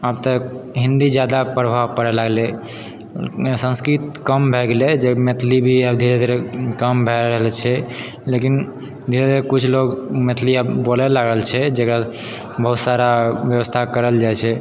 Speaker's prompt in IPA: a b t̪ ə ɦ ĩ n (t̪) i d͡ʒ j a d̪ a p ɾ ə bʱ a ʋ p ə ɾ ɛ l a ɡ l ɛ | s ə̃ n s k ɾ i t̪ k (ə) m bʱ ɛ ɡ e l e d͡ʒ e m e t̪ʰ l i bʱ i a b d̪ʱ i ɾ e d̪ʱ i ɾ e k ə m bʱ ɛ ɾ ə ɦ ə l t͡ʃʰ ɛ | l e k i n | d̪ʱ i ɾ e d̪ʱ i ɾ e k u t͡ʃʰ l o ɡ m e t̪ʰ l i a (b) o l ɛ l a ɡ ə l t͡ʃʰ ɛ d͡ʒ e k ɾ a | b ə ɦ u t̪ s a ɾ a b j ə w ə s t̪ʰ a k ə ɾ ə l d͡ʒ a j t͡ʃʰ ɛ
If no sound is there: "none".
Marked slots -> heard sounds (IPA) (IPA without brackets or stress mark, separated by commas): d̪, ə, b